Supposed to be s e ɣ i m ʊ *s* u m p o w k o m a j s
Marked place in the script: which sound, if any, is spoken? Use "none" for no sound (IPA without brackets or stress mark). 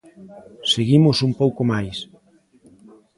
s